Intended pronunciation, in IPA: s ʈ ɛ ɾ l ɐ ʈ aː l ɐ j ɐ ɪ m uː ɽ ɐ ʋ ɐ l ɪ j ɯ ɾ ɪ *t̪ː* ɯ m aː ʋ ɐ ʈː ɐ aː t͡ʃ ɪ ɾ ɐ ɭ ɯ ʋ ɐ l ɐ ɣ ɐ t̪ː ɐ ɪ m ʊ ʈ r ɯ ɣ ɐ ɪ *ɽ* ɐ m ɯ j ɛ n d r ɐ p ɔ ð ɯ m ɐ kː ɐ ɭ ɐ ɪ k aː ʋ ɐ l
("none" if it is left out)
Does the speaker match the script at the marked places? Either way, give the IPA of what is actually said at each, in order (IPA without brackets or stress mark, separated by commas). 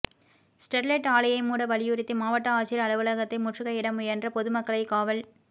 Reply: t̪ː, ɽ